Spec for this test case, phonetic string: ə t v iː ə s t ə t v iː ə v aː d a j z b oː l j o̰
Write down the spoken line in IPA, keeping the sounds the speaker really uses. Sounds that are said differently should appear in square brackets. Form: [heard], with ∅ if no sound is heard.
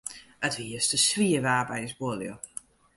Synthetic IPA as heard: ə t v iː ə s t ə [s] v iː ə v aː [b] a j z b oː l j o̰